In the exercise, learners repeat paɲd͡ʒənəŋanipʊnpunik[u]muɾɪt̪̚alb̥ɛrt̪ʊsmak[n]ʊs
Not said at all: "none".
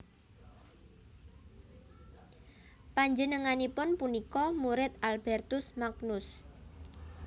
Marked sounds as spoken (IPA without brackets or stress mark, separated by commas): ɔ, n